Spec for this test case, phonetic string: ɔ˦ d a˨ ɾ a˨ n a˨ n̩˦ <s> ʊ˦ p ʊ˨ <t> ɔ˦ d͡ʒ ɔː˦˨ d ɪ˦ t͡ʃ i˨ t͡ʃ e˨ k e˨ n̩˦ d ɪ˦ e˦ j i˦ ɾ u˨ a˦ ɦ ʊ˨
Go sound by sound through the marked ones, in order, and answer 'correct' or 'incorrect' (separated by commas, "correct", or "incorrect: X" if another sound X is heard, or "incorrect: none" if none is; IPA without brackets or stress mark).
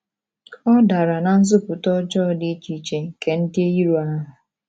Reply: incorrect: z, correct